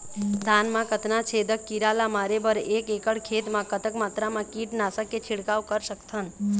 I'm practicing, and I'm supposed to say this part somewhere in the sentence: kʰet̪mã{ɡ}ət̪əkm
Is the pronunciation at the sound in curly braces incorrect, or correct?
incorrect